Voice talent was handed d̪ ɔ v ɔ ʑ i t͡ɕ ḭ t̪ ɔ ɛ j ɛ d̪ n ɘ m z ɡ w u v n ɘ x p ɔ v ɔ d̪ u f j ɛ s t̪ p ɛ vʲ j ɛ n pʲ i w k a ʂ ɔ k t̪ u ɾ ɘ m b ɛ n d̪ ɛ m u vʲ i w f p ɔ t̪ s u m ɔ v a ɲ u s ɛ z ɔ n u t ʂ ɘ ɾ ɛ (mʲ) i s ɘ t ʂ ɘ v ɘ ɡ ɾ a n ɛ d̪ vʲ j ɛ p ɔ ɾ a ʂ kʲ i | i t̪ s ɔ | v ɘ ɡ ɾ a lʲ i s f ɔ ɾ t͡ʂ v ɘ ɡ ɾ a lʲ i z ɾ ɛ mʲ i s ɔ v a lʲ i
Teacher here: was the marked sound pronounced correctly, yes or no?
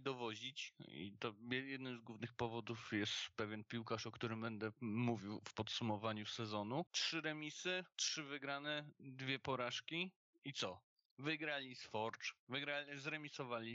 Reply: yes